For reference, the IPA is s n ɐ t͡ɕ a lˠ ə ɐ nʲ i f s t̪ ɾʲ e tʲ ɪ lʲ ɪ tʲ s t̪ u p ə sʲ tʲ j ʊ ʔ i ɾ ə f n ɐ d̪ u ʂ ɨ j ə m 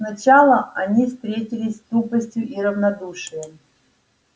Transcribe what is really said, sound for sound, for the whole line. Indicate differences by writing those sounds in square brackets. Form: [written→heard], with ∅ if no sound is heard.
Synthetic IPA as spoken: s n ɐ t͡ɕ a lˠ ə ɐ nʲ i f s t̪ ɾʲ e tʲ ɪ lʲ ɪ [tʲ→sʲ] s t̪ u p ə sʲ tʲ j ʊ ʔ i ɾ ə [f→v] n ɐ d̪ u ʂ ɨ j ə m